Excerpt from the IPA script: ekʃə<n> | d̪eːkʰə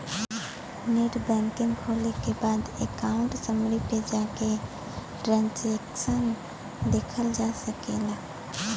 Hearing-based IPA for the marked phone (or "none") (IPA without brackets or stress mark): n